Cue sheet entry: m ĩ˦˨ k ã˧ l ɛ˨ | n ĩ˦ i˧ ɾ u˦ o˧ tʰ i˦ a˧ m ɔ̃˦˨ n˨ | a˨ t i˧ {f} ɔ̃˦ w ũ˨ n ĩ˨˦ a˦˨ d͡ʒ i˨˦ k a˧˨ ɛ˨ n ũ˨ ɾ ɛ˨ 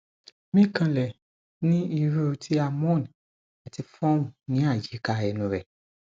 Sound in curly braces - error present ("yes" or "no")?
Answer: no